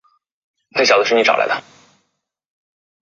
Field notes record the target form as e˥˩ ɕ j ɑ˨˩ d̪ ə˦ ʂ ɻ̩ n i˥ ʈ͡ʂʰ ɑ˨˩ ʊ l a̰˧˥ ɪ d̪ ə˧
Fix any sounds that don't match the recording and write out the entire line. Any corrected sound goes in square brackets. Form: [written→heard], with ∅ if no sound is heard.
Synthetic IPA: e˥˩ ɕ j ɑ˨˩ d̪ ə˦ ʂ ɻ̩ n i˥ [ʈ͡ʂʰ→ʈ͡ʂ] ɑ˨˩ ʊ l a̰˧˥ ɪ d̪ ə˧